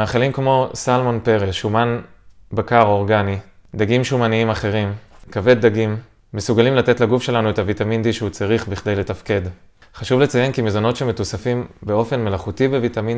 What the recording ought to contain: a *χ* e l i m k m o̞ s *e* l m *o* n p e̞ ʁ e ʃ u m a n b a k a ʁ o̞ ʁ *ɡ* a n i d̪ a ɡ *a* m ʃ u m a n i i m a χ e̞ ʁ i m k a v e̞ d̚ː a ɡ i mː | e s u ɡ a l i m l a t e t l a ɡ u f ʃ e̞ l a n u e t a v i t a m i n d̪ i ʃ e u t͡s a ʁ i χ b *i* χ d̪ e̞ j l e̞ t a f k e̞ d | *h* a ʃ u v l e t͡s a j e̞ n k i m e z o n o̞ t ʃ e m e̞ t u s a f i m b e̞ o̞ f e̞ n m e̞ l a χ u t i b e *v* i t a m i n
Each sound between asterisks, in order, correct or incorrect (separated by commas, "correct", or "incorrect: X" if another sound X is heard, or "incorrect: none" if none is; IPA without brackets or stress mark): correct, incorrect: a, correct, correct, incorrect: i, correct, incorrect: χ, correct